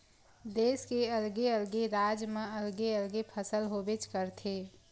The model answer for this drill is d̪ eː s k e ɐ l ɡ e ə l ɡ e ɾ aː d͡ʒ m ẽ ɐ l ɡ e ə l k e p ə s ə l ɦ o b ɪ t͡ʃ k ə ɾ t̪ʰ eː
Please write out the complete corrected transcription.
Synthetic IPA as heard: d̪ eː s k e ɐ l ɡ e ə l ɡ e ɾ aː d͡ʒ m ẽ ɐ l ɡ e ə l ɡ e pʰ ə s ə l ɦ o b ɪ t͡ʃ k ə ɾ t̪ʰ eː